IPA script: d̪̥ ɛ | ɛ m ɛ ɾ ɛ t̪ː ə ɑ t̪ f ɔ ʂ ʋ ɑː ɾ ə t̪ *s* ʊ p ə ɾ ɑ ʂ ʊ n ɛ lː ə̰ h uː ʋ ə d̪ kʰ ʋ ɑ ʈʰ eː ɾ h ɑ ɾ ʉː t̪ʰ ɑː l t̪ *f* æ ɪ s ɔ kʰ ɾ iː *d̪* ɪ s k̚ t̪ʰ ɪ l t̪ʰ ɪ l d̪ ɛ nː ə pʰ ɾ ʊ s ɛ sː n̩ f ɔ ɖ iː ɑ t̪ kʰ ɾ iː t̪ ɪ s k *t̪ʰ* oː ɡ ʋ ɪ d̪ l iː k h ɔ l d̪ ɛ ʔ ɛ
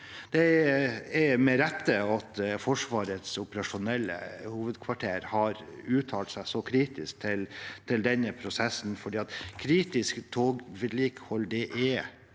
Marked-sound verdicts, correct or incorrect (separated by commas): correct, incorrect, incorrect, correct